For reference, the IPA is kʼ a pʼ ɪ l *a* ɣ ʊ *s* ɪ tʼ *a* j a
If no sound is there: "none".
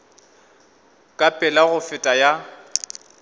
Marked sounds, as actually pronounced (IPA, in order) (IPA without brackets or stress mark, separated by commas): a, f, a